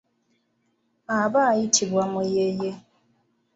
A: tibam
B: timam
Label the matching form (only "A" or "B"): A